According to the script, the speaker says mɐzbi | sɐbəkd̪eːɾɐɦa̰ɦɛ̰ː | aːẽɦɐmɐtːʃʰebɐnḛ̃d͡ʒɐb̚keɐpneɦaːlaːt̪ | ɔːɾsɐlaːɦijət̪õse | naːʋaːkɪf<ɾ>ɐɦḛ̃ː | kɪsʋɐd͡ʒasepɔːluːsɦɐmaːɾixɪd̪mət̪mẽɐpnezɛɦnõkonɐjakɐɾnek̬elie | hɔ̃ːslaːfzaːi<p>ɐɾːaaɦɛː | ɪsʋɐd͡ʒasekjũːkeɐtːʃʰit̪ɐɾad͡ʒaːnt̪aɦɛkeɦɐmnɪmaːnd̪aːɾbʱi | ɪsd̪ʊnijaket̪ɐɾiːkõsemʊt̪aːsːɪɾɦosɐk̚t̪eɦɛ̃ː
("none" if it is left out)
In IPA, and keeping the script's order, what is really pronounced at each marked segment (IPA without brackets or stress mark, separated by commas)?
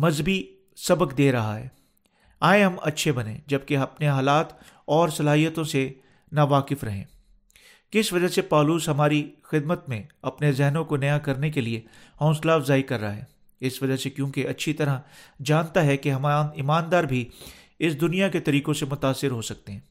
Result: ɾ, k